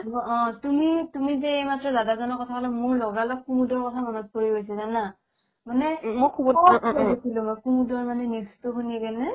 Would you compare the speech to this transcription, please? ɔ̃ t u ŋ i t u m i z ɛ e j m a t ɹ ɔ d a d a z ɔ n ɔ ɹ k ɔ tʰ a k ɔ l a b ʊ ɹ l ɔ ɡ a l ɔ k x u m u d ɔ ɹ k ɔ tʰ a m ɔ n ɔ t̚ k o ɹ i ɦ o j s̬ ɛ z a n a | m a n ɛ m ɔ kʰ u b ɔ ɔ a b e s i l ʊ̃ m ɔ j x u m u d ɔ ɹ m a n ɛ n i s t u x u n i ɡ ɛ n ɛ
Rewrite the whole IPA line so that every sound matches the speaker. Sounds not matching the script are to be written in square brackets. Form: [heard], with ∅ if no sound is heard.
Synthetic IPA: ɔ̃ t u [m] i t u m i z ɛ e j m a t ɹ ɔ d a d a z ɔ n ɔ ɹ k ɔ tʰ a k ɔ l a [m] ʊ ɹ l ɔ ɡ a l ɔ k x u m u d ɔ ɹ k ɔ tʰ a m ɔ n ɔ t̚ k o ɹ i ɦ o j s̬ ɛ z a n a | m a n ɛ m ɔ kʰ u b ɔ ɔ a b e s i l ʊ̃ m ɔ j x u m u d ɔ ɹ m a n ɛ n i s t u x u n i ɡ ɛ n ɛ